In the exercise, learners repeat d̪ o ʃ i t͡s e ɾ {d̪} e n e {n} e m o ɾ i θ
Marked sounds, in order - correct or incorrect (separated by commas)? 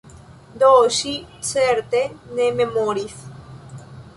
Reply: incorrect, incorrect